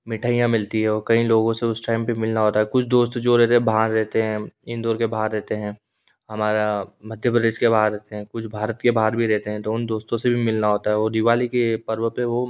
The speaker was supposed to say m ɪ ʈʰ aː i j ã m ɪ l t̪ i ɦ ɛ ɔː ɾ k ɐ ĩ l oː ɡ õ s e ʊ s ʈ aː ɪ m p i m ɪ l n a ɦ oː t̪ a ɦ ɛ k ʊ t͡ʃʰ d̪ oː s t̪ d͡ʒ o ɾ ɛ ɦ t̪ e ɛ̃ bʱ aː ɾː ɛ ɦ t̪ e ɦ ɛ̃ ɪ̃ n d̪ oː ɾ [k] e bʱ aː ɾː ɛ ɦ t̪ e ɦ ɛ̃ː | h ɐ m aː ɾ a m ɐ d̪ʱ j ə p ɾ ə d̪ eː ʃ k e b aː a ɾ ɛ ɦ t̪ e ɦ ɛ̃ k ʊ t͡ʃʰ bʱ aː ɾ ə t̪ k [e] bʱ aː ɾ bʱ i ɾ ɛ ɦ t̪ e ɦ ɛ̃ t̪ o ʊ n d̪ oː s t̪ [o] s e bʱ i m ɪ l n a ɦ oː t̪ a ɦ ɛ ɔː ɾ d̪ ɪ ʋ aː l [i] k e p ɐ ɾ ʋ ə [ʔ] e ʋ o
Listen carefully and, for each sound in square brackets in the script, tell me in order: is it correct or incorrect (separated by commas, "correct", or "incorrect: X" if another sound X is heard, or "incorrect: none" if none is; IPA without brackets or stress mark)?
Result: correct, correct, incorrect: õ, correct, incorrect: p